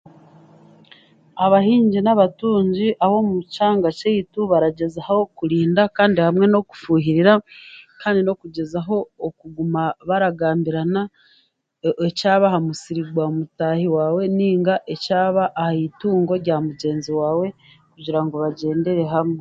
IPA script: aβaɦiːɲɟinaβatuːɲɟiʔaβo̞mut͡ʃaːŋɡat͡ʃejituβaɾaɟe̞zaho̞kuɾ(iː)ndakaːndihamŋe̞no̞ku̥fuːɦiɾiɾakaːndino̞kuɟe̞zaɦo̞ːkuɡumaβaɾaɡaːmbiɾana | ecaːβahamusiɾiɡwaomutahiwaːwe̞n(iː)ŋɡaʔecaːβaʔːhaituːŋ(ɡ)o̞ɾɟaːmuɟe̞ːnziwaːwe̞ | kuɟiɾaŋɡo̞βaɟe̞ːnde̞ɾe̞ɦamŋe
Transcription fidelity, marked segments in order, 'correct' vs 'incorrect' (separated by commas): correct, correct, correct